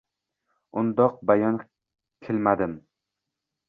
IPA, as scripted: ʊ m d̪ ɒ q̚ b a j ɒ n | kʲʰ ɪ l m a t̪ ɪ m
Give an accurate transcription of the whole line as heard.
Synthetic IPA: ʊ n d̪ ɒ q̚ b a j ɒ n | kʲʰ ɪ l m a d̪ ɪ m